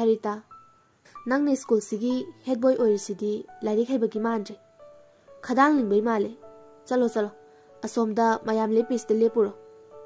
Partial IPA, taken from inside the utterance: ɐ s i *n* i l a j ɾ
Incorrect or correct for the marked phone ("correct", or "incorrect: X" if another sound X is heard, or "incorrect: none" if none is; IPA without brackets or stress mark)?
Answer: incorrect: d